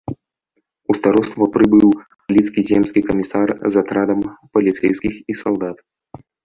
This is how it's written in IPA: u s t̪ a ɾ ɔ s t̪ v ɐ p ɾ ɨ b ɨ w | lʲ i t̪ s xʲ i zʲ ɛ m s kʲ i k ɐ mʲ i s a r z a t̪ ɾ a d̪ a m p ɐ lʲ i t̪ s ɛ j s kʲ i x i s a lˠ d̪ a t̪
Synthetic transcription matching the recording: u s t̪ a ɾ ɔ s t̪ v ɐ p ɾ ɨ b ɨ w | lʲ i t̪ s kʲ i zʲ ɛ m s kʲ i k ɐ mʲ i s a r z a t̪ ɾ a d̪ ɐ m p ɐ lʲ i t̪ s ɛ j s kʲ i x i s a lˠ d̪ a t̪